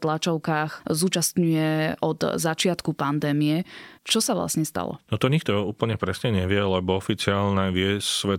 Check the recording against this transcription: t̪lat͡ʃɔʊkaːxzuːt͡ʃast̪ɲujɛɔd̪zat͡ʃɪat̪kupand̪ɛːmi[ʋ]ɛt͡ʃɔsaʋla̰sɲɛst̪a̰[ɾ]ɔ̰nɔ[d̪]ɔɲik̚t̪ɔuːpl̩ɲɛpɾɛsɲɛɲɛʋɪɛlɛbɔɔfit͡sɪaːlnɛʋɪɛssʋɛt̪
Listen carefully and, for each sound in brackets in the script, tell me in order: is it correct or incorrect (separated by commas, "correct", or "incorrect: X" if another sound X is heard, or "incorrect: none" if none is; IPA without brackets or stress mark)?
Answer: incorrect: none, incorrect: l, incorrect: t̪